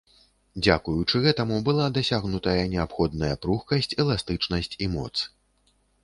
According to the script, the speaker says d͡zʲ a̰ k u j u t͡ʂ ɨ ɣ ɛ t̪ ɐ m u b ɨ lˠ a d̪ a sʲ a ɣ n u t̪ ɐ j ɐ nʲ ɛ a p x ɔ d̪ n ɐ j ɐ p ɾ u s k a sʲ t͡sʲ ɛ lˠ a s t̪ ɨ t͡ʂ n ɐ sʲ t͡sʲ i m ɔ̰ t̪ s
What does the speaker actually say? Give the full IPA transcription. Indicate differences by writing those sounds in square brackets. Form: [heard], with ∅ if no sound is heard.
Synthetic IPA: d͡zʲ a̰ k u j u t͡ʂ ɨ ɣ ɛ t̪ ɐ m u b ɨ lˠ a d̪ a sʲ a ɣ n u t̪ ɐ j ɐ nʲ ɛ a p x ɔ d̪ n ɐ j ɐ p ɾ u [x] k [ɐ] sʲ t͡sʲ ɛ lˠ a s t̪ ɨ t͡ʂ n ɐ sʲ t͡sʲ i m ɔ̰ t̪ s